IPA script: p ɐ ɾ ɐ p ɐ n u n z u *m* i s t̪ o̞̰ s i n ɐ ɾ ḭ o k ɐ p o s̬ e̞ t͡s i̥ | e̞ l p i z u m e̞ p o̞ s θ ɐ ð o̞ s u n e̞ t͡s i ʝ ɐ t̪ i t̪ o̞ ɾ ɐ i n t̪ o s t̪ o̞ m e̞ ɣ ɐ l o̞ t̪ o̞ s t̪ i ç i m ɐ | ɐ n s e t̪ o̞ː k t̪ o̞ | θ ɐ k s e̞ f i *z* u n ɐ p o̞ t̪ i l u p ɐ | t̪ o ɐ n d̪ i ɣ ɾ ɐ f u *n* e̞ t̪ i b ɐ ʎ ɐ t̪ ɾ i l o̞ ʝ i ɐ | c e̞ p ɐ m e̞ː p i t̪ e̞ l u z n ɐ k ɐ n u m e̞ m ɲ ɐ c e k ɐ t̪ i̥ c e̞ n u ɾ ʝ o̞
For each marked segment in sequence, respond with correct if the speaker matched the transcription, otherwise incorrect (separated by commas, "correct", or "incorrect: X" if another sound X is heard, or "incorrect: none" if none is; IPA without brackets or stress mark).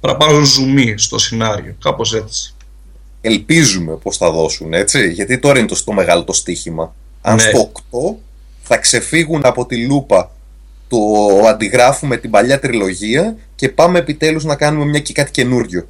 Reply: correct, incorrect: ɣ, incorrect: m